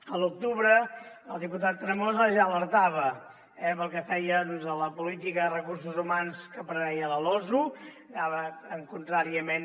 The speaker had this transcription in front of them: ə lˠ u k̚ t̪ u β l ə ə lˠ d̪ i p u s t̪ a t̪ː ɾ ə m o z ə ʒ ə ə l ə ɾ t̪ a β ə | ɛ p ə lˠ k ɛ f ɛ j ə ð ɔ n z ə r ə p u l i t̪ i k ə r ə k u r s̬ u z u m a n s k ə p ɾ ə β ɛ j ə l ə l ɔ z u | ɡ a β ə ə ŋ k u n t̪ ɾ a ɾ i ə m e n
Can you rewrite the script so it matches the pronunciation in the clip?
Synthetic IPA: ə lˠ u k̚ t̪ u β ɾ ə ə lˠ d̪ i p u t̪ a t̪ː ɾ ə m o z ə ʒ a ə l ə ɾ t̪ a β ə | ɛ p ə lˠ k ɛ f ɛ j ə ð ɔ n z ə l ə p u l i t̪ i k ə r ə k u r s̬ u z u m a n s k ə p ɾ ə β ɛ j ə l ə l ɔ z u | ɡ a β ə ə ŋ k u n t̪ ɾ a ɾ i ə m e n